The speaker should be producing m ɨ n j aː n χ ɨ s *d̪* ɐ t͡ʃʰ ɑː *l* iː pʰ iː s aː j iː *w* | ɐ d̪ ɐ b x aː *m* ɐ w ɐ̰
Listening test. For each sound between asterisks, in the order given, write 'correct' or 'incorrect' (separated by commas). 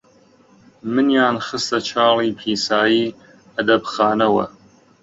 incorrect, correct, incorrect, incorrect